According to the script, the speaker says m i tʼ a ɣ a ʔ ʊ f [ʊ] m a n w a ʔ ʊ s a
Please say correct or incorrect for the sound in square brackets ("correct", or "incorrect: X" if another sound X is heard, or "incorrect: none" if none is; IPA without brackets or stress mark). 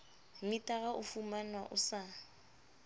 incorrect: u